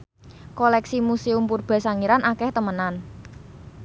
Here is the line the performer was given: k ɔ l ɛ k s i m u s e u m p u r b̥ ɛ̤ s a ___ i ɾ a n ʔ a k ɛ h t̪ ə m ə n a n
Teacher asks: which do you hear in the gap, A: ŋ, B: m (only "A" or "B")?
A